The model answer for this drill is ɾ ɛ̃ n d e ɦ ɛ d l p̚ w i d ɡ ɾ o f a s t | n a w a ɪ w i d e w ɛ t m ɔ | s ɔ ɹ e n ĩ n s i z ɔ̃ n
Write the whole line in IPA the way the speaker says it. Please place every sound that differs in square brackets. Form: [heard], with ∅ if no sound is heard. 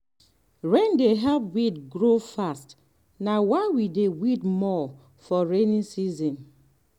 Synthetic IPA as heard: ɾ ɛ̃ n d e ɦ ɛ [∅] l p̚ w i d ɡ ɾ o f a s t | n a w a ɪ w i d e w [i] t m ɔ | [f] ɔ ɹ e n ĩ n s i z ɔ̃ n